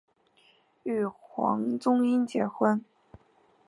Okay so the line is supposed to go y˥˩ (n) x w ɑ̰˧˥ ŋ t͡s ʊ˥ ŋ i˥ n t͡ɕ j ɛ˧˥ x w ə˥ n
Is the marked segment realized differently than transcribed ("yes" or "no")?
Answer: yes